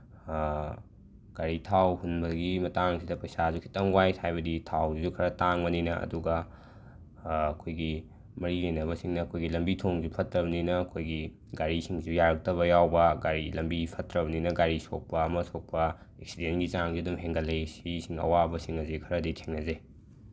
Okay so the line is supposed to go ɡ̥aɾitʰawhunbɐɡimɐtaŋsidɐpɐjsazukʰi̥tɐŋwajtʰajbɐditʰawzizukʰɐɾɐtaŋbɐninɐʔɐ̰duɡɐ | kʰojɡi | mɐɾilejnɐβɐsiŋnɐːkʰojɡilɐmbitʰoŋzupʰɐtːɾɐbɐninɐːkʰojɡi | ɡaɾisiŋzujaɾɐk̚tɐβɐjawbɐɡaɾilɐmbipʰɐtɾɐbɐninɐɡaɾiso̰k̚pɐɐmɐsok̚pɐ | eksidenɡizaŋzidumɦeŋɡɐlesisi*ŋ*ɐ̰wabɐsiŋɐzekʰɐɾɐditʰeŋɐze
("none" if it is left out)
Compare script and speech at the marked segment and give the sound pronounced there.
ŋ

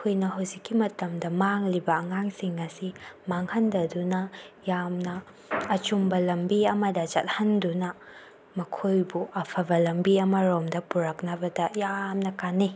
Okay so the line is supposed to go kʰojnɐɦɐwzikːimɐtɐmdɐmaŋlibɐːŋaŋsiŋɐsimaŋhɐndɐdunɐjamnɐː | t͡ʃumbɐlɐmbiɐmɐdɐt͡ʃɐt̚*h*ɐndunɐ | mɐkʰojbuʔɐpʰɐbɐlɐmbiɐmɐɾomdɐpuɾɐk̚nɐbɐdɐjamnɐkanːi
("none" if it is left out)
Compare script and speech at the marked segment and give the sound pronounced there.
h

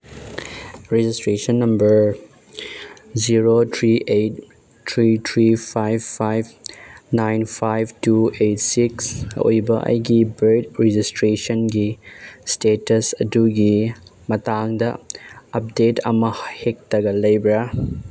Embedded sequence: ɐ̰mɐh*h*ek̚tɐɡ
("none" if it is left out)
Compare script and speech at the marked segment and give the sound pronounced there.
h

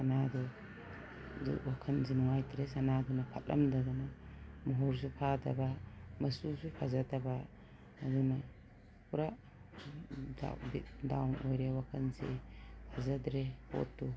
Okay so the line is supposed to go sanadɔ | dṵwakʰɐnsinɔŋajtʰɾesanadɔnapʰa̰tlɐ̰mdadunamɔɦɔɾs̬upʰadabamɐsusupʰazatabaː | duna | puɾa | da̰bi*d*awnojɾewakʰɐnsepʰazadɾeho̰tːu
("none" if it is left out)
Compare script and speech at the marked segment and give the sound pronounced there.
d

